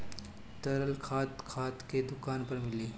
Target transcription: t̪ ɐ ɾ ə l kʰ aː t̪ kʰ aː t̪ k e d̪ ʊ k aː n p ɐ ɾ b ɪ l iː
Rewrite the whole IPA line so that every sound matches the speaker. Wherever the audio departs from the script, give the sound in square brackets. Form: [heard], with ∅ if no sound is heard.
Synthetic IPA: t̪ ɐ ɾ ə l kʰ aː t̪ kʰ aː t̪ k e d̪ ʊ k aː n p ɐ ɾ [m] ɪ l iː